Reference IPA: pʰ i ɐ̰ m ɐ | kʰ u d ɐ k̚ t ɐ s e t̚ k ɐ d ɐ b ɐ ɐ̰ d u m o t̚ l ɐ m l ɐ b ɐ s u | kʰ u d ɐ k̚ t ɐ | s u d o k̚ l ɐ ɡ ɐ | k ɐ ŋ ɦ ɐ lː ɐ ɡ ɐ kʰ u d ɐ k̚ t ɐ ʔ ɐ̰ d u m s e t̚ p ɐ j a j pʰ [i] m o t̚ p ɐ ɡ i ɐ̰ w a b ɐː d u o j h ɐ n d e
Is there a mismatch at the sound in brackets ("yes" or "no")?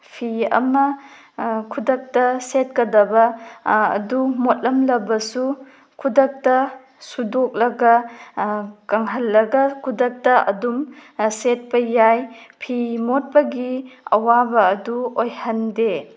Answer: no